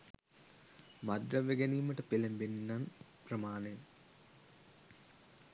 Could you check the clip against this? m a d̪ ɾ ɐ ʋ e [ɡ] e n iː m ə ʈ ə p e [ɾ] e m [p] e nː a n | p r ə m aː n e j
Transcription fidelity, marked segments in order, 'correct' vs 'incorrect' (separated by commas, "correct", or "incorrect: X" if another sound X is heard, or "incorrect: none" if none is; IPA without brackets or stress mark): correct, incorrect: l, incorrect: b